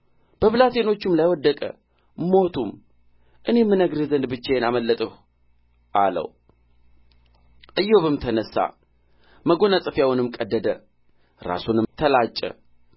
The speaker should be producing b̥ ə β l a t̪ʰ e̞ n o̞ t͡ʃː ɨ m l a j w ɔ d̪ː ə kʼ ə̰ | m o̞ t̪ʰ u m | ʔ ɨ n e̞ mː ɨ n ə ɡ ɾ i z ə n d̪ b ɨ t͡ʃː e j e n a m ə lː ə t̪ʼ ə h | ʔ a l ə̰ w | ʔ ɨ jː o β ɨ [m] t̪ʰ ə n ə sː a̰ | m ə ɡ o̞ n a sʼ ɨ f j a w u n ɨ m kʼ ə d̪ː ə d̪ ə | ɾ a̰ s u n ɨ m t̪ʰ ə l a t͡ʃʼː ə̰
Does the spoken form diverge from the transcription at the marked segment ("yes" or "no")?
no